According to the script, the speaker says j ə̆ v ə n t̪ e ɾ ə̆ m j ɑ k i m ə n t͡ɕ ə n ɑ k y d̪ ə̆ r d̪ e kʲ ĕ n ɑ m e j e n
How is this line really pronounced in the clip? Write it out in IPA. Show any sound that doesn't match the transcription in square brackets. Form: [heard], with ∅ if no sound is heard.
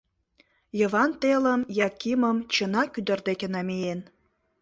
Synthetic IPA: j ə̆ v [ɑ] n t̪ e [l] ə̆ m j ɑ k i m ə [m] t͡ɕ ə n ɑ k y d̪ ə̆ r d̪ e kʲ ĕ n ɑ m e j e n